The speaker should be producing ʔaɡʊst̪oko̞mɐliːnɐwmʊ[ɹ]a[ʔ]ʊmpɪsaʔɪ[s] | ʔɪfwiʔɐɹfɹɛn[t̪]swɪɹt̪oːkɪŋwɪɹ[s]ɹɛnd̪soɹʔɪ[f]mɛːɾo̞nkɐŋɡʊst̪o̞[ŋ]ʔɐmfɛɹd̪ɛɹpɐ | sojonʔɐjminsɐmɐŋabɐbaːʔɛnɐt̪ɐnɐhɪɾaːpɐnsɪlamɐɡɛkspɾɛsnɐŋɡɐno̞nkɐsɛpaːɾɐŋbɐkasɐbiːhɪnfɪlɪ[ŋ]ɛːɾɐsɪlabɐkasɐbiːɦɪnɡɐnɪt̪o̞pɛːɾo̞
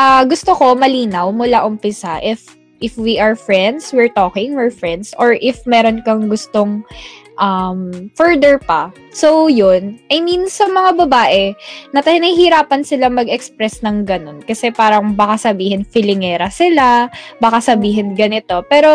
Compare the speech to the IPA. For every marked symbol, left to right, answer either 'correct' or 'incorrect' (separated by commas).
incorrect, correct, incorrect, incorrect, incorrect, correct, correct, correct